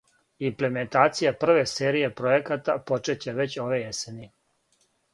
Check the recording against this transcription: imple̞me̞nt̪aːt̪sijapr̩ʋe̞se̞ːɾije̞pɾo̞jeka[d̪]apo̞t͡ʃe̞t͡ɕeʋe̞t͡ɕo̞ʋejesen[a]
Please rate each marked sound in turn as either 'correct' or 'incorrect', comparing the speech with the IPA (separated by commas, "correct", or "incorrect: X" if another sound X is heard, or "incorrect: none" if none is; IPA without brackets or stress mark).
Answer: incorrect: t̪, incorrect: i